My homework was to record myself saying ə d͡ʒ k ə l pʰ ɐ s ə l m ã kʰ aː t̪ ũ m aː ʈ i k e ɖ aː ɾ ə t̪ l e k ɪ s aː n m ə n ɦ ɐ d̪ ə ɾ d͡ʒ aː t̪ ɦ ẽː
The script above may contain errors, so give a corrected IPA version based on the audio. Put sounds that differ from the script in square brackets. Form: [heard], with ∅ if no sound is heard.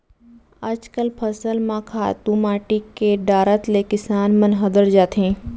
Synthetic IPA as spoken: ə d͡ʒ k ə l pʰ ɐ s ə l m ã kʰ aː t̪ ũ m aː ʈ i k e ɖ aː ɾ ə t̪ l e k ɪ s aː n m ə n ɦ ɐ d̪ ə ɾ d͡ʒ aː t̪ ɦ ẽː